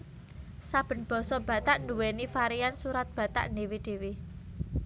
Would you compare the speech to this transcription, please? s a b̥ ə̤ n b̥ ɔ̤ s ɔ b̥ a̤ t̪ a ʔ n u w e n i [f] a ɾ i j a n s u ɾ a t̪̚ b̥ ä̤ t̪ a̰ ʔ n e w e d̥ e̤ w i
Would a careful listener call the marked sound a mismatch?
no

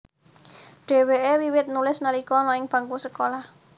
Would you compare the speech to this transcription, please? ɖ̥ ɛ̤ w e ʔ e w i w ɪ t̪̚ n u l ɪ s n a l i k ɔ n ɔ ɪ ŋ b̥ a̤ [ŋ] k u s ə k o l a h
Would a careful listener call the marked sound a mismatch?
no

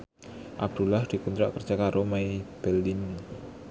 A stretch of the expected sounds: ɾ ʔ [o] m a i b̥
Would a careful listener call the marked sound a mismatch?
no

